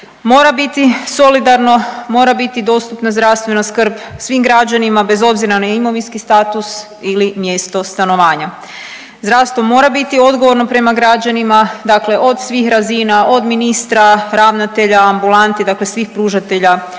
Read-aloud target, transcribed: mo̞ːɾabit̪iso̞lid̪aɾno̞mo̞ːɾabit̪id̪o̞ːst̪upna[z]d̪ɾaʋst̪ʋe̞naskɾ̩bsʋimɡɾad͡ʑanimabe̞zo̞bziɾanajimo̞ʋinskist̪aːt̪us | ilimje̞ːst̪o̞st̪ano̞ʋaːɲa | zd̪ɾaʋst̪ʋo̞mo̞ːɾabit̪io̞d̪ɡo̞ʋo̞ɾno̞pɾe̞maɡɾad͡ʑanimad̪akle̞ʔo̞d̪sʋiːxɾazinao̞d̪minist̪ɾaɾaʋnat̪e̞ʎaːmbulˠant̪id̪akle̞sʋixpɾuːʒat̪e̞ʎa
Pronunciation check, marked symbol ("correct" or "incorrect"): correct